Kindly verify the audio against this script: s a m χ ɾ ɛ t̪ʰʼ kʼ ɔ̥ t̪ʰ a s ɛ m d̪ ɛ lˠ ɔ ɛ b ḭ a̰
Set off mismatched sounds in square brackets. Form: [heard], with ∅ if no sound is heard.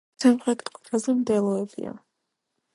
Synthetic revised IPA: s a m χ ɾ ɛ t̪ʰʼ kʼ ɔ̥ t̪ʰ a [z] ɛ m d̪ ɛ lˠ ɔ ɛ b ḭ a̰

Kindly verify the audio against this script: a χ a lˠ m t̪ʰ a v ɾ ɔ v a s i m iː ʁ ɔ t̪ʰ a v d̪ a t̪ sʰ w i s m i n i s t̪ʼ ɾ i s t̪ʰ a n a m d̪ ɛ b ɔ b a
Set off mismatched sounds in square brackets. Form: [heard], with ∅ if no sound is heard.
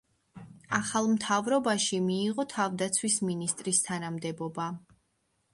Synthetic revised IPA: a χ a lˠ m t̪ʰ a v ɾ ɔ [b] a [ʃ] i m iː ʁ ɔ t̪ʰ a v d̪ a t̪ sʰ w i s m i n i s t̪ʼ ɾ i s t̪ʰ a n a m d̪ ɛ b ɔ b a

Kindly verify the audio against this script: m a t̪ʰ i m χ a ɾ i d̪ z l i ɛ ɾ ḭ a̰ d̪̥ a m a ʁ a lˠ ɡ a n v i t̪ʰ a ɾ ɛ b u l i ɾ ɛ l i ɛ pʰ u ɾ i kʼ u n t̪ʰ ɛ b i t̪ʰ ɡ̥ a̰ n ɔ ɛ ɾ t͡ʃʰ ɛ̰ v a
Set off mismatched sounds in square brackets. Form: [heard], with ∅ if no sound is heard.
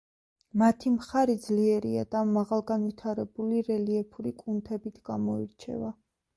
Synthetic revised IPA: m a t̪ʰ i m χ a ɾ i d̪ z l i ɛ ɾ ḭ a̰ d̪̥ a m a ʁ a lˠ ɡ a n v i t̪ʰ a ɾ ɛ b u l i ɾ ɛ l i ɛ pʰ u ɾ i kʼ u n t̪ʰ ɛ b i t̪ʰ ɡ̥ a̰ [m] ɔ [i] ɾ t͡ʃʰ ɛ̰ v a

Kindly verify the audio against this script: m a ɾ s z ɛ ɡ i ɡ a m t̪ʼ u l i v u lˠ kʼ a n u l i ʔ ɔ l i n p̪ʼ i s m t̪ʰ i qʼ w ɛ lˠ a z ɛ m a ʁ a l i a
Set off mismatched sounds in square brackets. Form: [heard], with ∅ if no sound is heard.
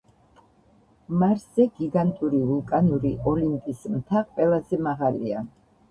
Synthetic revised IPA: m a ɾ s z ɛ ɡ i ɡ a [n] t̪ʼ u [ɾ] i v u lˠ kʼ a n u [ɾ] i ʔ ɔ l i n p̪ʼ i s m t̪ʰ [a] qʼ w ɛ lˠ a z ɛ m a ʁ a l i a

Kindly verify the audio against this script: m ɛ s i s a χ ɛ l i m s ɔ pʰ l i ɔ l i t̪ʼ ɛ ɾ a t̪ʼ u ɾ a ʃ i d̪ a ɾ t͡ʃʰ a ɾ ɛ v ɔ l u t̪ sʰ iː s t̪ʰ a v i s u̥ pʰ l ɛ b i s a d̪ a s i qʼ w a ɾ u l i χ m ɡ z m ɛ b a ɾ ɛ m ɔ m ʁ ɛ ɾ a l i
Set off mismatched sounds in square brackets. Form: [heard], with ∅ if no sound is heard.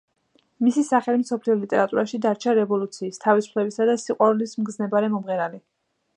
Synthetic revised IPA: m [i] s i s a χ ɛ l i m s ɔ pʰ l i ɔ l i t̪ʼ ɛ ɾ a t̪ʼ u ɾ a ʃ i d̪ a ɾ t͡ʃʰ a ɾ ɛ v ɔ l u t̪ sʰ iː s t̪ʰ a v i s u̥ pʰ l ɛ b i s a d̪ a s i qʼ w a ɾ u l i [s] m ɡ z [n] ɛ b a ɾ ɛ m ɔ m ʁ ɛ ɾ a l i

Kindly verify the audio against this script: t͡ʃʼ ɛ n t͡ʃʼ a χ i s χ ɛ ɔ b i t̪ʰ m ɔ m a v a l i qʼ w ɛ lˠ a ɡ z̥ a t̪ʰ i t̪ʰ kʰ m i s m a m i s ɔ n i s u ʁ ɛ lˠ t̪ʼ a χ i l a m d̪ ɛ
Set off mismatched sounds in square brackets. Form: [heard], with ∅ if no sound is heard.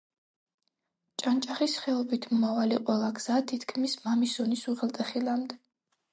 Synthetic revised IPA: t͡ʃʼ [a] n t͡ʃʼ a χ i s χ ɛ ɔ b i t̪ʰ m ɔ m a v a l i qʼ w ɛ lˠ a ɡ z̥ a t̪ʰ i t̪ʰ kʰ m i s m a m i s ɔ n i s u ʁ ɛ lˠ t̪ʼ [ɛ] χ i l a m d̪ ɛ

